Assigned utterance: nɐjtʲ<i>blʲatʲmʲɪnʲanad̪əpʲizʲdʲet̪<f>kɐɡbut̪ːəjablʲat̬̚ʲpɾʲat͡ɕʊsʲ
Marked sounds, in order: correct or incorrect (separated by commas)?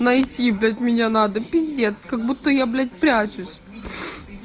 correct, incorrect